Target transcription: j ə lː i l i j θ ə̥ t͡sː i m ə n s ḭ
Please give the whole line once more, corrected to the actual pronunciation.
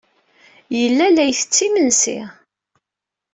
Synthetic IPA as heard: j ə lː æ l æ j θ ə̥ t͡sː i m ə n s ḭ